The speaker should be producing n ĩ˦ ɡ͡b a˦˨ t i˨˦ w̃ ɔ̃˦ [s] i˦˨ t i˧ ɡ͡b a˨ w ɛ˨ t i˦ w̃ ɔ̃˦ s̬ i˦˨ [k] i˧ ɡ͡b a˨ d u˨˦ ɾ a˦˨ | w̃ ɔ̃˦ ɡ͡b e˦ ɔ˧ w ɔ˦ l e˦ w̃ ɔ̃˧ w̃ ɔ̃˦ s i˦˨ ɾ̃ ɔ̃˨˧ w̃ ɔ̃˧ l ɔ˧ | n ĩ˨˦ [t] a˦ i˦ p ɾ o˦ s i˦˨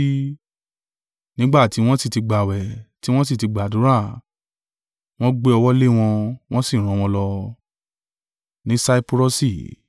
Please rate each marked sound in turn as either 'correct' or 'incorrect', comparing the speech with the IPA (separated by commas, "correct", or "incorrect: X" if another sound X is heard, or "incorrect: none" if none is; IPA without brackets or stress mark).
correct, incorrect: t, incorrect: s